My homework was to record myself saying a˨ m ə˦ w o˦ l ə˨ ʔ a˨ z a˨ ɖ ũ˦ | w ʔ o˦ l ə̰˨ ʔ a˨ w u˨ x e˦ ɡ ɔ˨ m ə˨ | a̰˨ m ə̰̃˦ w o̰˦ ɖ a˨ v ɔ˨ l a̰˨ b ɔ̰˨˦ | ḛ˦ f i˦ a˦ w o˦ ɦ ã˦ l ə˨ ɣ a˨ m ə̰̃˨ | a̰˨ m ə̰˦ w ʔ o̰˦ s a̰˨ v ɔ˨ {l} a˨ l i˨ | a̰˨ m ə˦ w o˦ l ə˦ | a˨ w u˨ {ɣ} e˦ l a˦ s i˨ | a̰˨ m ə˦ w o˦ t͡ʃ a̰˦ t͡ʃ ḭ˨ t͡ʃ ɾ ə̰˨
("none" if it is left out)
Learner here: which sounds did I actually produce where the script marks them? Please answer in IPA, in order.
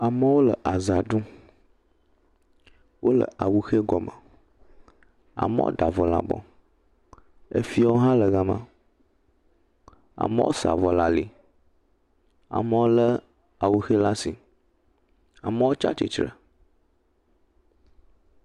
l, x

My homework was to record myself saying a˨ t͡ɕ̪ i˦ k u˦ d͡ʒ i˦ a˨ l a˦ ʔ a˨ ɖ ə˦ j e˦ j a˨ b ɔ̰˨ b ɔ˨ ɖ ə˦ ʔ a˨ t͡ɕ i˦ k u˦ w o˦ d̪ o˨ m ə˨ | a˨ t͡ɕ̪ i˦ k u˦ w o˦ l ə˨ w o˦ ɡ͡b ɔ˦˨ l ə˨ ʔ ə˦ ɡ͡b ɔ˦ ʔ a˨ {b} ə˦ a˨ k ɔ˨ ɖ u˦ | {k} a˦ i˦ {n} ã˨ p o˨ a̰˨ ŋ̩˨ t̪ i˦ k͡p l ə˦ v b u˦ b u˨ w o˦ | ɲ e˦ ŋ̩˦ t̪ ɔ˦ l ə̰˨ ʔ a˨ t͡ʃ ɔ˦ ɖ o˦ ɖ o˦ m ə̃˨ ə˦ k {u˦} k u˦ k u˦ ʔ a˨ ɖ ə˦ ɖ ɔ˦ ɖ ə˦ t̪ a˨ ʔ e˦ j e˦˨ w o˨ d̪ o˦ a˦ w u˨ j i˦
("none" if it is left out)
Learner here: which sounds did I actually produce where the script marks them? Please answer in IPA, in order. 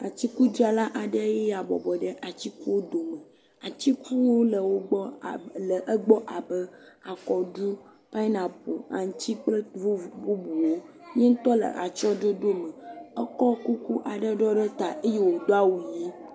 b, p, n, ɔ˦

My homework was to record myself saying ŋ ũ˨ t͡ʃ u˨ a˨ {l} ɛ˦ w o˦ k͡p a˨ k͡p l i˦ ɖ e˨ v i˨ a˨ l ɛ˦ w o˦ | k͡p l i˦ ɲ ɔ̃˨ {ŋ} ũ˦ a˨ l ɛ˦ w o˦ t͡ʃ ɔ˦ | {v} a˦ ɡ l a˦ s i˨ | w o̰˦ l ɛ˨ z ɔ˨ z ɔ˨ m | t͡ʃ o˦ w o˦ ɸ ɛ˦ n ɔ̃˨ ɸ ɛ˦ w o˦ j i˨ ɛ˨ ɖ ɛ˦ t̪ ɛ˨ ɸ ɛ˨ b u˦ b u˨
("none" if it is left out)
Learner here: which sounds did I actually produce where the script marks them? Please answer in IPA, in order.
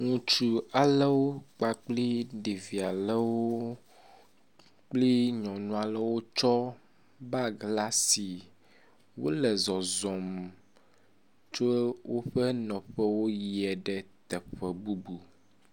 l, n, b

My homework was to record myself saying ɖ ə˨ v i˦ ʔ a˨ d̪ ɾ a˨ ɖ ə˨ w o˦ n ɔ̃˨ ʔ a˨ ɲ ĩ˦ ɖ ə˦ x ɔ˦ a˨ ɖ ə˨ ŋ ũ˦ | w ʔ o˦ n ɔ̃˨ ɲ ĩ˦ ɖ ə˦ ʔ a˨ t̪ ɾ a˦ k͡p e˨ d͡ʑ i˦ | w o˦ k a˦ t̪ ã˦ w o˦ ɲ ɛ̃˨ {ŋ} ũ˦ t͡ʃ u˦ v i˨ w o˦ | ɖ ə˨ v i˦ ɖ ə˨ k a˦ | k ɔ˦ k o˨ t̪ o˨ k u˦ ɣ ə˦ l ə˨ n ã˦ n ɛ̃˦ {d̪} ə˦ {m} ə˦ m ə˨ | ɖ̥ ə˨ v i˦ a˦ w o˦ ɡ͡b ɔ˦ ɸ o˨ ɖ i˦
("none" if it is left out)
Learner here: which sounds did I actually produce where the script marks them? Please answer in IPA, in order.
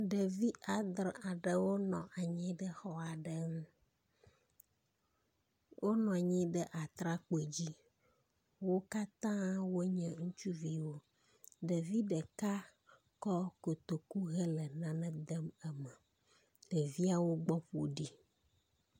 ŋ, d̪, m

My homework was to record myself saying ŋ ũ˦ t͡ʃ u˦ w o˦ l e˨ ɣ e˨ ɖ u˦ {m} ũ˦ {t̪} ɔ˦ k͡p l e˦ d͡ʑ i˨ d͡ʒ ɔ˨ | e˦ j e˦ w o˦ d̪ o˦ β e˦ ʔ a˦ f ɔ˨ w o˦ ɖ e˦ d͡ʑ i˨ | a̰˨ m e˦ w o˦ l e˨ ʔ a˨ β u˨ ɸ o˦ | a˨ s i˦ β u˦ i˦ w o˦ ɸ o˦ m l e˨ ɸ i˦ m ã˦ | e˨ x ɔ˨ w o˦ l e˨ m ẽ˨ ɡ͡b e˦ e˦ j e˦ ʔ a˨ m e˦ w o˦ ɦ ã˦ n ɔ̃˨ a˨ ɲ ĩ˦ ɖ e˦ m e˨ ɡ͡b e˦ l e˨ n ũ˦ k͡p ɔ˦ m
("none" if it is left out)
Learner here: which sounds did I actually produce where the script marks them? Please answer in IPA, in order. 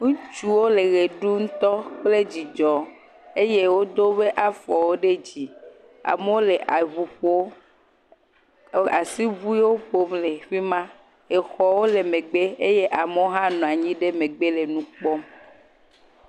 ŋ, t̪

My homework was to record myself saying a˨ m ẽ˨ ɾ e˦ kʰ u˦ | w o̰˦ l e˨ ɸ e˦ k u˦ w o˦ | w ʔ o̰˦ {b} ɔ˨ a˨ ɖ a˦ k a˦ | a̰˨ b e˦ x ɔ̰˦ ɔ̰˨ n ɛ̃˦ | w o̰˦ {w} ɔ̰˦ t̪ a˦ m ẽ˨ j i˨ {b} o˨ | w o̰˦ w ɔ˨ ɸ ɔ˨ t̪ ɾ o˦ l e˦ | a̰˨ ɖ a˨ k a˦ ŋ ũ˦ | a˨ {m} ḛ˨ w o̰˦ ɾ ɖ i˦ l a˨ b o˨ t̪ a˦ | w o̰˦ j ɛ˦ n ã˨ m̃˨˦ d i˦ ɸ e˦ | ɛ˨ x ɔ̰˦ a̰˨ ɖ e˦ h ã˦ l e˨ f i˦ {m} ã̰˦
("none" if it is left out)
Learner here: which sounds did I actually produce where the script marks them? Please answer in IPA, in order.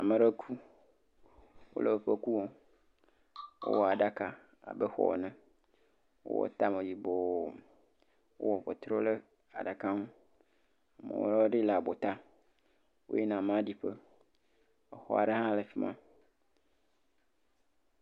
w, w, b, m, m

